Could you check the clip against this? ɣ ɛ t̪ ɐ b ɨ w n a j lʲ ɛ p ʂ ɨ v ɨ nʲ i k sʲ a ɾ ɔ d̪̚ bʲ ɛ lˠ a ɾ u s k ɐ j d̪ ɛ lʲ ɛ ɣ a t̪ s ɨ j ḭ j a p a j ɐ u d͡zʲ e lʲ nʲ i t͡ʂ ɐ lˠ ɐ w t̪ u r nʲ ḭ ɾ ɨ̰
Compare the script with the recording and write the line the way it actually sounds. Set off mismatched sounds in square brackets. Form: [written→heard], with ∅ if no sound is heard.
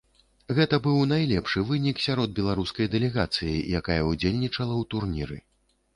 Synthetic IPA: ɣ ɛ t̪ ɐ b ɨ w n a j lʲ ɛ p ʂ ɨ v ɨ nʲ i k sʲ a ɾ ɔ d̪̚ bʲ ɛ lˠ a ɾ u s k ɐ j d̪ ɛ lʲ ɛ ɣ a t̪ s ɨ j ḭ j a [p→k] a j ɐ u d͡zʲ e lʲ nʲ i t͡ʂ ɐ lˠ ɐ w t̪ u r nʲ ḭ ɾ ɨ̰